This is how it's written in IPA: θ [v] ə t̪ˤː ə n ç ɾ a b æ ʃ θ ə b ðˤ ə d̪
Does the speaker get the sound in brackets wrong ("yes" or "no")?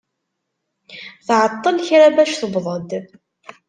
yes